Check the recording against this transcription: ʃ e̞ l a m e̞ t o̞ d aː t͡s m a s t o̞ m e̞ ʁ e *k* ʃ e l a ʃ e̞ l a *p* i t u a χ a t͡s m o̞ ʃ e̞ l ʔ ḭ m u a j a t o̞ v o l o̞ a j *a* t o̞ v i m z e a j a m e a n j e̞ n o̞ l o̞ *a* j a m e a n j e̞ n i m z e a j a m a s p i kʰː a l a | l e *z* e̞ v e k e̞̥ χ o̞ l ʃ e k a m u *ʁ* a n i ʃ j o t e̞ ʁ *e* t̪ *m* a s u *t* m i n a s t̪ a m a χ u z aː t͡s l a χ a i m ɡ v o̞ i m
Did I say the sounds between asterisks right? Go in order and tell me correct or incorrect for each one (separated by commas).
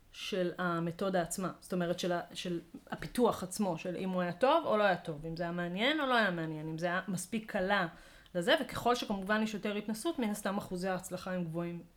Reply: incorrect, correct, correct, correct, correct, incorrect, incorrect, incorrect, correct